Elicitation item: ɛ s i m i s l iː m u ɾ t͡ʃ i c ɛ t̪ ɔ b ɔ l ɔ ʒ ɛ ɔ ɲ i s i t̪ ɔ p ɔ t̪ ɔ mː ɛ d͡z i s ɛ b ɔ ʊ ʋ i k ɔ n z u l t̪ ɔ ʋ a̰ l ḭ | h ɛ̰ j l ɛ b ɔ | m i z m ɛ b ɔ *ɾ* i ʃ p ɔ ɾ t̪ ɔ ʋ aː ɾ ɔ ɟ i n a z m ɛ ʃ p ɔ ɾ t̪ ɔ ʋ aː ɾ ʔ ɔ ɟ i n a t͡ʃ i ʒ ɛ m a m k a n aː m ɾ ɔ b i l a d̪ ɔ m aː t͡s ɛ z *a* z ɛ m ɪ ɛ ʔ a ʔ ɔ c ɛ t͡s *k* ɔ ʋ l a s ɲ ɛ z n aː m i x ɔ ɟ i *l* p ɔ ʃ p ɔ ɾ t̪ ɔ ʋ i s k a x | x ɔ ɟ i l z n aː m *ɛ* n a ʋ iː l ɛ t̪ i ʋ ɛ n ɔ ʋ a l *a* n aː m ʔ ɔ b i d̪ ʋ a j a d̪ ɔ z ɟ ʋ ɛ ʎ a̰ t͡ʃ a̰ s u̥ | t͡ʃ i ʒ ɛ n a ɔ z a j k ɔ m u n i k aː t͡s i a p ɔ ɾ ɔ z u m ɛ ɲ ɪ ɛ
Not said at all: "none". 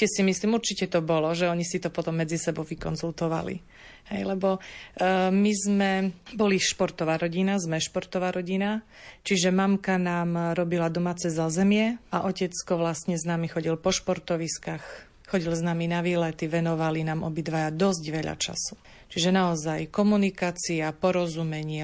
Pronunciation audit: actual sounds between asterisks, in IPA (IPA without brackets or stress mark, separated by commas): l, a, k, l, i, i